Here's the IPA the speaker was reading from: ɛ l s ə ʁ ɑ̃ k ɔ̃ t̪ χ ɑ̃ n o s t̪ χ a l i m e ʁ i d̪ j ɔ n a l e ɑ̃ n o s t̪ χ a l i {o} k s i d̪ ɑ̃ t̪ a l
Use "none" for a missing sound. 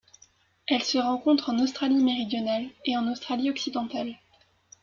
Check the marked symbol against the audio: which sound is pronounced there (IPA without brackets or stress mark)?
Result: ɔ